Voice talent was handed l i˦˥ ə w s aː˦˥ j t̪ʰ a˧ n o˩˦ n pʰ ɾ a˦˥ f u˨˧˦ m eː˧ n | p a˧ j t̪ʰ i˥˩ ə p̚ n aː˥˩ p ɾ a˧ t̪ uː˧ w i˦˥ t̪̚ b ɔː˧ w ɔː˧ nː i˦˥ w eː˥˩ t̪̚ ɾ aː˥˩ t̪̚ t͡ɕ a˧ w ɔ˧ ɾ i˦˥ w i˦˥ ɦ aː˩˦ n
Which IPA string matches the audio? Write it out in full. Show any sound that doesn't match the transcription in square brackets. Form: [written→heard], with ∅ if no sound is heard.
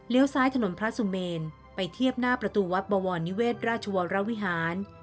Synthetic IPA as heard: l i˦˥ ə w s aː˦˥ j t̪ʰ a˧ n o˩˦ n pʰ ɾ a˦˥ [f→s] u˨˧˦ m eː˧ n | p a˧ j t̪ʰ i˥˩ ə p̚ n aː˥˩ p ɾ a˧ t̪ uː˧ w [i˦˥→a˦˥] t̪̚ b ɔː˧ w ɔː˧ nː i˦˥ w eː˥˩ t̪̚ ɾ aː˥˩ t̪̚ [t͡ɕ→t͡ɕʰ] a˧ w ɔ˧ ɾ [i˦˥→a˦˥] w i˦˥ ɦ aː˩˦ n